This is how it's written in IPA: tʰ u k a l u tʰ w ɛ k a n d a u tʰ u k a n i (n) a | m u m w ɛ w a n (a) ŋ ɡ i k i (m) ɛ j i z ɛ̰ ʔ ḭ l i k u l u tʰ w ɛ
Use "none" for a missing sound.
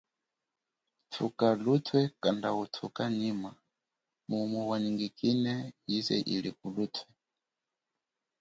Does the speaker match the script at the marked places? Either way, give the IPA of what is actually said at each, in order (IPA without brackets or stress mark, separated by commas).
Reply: m, i, n